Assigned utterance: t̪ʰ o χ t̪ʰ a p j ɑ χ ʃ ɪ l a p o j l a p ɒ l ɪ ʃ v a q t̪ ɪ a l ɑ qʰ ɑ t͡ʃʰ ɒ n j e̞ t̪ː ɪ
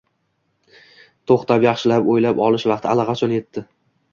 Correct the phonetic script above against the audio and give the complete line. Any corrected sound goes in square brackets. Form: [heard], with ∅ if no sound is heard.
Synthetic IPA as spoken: t̪ʰ o χ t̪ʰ a p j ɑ χ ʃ ɪ l a p o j l a p ɒ l ɪ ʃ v [ɑ] q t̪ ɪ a l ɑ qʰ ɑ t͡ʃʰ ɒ n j e̞ t̪ː ɪ